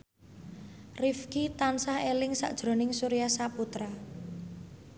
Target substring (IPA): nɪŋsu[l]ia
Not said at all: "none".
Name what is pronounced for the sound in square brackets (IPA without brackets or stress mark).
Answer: ɾ